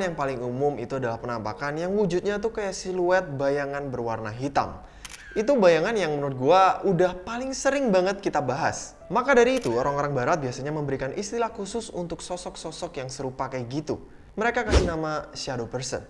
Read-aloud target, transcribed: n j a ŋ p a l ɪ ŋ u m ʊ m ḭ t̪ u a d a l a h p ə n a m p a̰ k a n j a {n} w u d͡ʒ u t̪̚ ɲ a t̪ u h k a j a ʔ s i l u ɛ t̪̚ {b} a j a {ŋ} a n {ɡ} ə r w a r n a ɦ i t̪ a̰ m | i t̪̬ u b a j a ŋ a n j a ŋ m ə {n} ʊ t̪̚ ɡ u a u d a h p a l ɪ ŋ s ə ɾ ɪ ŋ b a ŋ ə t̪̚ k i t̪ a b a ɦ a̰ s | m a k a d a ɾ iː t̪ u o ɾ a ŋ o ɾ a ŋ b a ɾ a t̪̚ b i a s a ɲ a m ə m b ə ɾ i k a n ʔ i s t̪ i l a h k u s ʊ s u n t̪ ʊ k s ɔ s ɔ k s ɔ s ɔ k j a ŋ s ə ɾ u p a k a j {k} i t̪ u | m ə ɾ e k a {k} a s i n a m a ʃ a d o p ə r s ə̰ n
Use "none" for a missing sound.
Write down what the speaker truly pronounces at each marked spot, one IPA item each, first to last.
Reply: ŋ, b, ŋ, b, n, ɡ, k

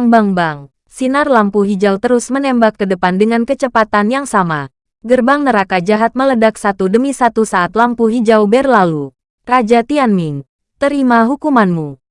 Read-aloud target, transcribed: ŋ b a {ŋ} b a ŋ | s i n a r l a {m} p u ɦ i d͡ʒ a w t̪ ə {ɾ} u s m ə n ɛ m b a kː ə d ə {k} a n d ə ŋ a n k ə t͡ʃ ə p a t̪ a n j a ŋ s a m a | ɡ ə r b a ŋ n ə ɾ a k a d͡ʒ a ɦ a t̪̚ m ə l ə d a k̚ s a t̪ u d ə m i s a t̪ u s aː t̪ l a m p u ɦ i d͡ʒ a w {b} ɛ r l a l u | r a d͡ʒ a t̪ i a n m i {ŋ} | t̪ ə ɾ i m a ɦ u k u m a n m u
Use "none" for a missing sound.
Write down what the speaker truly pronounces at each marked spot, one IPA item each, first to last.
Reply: ŋ, m, ɾ, p, b, ŋ

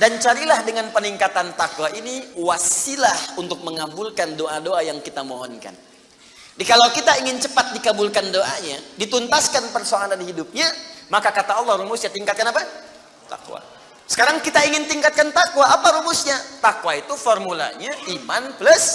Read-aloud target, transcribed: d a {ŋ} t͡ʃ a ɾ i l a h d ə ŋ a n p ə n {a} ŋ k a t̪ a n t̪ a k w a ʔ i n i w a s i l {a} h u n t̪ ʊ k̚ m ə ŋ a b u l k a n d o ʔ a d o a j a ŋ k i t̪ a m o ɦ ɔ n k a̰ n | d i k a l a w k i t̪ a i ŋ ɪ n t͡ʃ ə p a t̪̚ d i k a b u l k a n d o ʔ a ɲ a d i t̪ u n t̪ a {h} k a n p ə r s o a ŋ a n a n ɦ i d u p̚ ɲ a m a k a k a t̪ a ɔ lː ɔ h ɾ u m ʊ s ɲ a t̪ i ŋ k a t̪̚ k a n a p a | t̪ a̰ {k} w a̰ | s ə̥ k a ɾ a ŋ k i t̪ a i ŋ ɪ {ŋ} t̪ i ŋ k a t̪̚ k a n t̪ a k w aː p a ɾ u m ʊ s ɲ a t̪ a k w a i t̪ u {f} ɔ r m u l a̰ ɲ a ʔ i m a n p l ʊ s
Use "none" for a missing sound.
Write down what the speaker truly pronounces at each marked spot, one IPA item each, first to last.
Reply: n, i, a, s, k, n, f

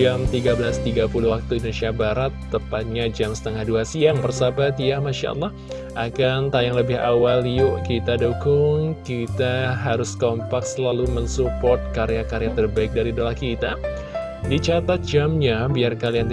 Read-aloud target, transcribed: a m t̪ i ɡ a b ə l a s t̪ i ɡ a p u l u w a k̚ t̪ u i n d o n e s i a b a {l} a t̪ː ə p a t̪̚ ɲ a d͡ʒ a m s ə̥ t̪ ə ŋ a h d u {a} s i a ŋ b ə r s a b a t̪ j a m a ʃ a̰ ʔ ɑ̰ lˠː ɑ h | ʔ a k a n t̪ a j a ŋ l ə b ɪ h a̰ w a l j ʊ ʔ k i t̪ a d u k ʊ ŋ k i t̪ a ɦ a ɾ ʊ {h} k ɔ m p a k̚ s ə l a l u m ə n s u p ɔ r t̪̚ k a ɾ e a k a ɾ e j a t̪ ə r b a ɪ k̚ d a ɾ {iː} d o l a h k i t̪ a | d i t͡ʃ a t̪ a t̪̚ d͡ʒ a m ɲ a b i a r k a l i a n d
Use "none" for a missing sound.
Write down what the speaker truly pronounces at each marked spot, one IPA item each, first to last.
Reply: ɾ, a, s, i

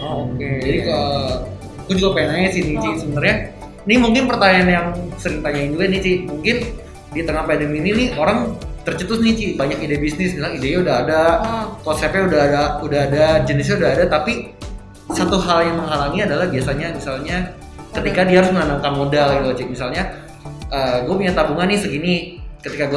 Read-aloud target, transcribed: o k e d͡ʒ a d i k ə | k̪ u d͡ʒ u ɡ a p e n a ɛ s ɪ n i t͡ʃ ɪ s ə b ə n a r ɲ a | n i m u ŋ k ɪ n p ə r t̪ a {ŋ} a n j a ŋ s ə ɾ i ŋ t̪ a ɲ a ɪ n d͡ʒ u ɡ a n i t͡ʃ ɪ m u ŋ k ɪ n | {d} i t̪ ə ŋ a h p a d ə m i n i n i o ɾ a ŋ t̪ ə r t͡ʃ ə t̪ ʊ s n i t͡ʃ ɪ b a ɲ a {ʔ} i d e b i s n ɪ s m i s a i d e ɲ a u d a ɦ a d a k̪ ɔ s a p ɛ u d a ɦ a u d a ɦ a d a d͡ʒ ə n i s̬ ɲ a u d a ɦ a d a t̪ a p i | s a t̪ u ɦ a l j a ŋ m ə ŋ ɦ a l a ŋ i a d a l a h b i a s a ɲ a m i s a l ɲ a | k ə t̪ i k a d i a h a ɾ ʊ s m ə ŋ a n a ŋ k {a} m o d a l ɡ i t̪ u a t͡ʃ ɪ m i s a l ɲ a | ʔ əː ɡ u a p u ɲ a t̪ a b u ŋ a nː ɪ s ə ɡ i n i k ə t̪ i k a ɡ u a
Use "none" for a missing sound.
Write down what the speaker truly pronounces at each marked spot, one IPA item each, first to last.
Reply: ɲ, d, k, a

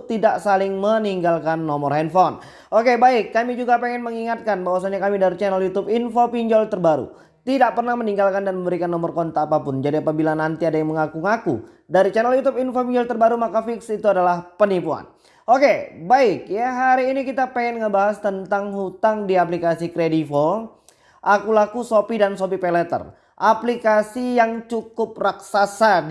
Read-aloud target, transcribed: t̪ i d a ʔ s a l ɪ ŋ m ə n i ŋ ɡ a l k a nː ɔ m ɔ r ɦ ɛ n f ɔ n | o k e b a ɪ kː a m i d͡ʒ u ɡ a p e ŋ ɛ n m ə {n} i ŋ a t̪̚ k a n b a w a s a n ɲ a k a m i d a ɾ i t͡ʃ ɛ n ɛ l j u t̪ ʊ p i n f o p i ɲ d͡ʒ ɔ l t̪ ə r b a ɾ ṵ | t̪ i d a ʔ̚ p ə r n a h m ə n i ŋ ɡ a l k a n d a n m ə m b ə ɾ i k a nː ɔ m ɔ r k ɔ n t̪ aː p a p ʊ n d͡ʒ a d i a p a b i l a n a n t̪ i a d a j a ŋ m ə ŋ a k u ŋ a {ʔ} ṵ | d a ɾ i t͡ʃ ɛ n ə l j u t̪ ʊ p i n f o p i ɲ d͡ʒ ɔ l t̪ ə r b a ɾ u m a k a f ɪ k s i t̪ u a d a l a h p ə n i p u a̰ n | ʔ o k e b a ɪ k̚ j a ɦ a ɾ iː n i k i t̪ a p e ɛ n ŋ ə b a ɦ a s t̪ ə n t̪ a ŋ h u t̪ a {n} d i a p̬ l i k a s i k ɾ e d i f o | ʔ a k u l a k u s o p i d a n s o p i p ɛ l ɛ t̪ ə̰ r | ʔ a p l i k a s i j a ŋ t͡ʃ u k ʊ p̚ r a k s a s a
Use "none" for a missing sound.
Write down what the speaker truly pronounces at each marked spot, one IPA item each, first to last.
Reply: ŋ, k, ŋ

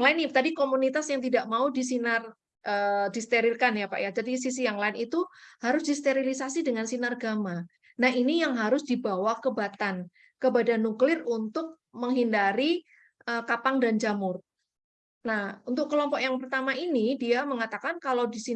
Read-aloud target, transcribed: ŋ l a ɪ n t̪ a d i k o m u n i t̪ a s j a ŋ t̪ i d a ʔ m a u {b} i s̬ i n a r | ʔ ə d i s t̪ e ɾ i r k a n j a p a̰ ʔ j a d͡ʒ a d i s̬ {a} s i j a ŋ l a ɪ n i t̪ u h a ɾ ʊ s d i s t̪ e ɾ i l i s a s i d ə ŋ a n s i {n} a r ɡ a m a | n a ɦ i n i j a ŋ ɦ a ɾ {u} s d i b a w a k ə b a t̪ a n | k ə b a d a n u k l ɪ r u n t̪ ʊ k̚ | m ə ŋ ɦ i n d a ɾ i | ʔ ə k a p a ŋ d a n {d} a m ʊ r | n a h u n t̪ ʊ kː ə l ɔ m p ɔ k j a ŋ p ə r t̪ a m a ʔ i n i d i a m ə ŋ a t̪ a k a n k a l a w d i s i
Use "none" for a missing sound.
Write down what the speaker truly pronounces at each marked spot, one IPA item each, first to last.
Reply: d, i, n, ʊ, d͡ʒ

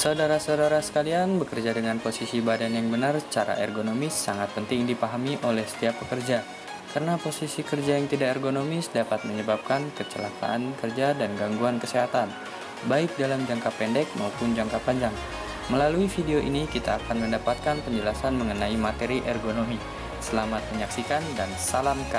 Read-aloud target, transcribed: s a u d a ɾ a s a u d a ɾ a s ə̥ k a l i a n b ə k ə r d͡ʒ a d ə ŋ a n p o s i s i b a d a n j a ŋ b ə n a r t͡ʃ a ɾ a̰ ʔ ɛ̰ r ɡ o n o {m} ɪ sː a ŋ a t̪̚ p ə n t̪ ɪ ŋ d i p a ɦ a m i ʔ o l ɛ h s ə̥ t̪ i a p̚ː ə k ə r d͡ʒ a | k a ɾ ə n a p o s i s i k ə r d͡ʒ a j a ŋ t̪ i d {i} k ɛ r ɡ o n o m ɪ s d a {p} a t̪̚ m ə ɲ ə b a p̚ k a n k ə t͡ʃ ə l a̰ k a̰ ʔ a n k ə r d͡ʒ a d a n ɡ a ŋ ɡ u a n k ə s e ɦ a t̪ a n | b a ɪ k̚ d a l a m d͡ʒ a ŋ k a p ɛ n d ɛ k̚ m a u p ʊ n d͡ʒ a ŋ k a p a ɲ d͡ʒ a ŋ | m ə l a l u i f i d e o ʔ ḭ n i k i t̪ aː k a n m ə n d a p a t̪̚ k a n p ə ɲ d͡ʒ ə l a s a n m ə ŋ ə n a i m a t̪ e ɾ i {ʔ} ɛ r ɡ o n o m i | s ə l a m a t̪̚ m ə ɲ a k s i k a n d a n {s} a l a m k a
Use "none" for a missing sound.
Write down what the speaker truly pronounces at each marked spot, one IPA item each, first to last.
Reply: m, a, p, ʔ, s

